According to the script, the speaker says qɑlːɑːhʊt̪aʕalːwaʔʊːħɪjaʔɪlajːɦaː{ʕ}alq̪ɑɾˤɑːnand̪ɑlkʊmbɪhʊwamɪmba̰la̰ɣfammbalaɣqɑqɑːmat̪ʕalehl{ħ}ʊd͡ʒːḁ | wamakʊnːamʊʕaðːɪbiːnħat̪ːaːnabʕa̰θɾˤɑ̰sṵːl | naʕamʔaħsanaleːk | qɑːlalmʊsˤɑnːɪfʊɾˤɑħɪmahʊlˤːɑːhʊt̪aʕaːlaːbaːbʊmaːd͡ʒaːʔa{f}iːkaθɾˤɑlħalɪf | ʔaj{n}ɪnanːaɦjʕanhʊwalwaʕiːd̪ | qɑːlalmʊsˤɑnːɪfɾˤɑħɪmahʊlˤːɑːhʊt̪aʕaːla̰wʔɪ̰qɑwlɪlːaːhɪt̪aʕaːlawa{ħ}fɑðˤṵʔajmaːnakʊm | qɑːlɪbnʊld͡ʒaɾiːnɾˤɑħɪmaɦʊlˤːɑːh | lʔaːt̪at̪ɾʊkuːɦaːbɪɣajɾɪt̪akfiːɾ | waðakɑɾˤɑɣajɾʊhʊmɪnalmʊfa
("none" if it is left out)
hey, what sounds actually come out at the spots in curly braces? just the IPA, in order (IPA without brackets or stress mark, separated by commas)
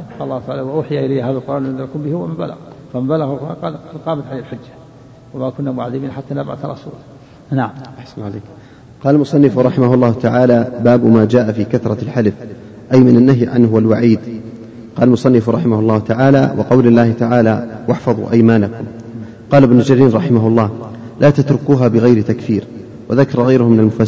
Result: ð, ħ, f, m, ħ